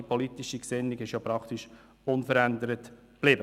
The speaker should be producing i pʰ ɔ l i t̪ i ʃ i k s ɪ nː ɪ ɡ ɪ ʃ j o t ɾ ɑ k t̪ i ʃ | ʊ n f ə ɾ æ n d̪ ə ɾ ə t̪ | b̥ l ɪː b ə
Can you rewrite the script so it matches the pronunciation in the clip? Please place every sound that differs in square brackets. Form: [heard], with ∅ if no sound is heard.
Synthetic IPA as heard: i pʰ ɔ l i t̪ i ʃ i k s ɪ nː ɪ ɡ ɪ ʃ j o [p] ɾ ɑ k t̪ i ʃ | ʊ n f ə ɾ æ n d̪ ə ɾ ə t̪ | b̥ l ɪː b ə